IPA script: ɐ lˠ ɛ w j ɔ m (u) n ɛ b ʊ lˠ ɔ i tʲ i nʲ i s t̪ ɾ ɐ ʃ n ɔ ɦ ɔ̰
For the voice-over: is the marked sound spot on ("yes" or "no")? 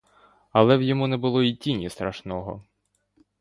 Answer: yes